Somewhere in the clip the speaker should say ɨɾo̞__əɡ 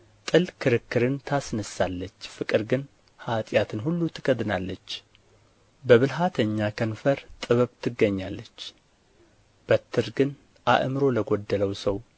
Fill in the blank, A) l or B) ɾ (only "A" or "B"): A